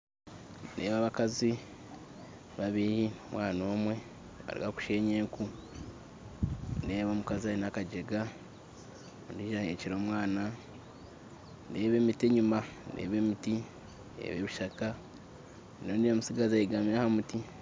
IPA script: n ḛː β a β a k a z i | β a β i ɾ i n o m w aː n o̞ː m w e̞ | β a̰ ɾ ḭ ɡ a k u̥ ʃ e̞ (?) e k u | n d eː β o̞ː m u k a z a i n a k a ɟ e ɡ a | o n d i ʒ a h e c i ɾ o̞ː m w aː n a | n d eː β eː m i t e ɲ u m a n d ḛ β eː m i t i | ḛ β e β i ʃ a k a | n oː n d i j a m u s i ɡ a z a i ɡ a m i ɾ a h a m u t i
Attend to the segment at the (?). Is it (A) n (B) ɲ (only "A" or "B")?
B